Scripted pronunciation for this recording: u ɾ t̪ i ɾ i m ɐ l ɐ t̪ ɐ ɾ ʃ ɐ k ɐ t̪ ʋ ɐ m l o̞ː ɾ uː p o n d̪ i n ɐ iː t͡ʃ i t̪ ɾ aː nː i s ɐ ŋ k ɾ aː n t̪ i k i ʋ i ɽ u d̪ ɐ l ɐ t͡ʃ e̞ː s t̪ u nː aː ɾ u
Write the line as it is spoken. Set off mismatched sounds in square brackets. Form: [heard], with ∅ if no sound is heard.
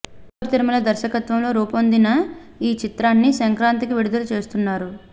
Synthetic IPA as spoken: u ɾ t̪ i ɾ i m ɐ l ɐ [d̪] ɐ ɾ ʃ ɐ k ɐ t̪ ʋ ɐ m l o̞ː ɾ uː p o n d̪ i n ɐ iː t͡ʃ i t̪ ɾ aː nː i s ɐ ŋ k ɾ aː n t̪ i k i ʋ i ɽ u d̪ ɐ l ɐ t͡ʃ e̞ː s t̪ u nː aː ɾ u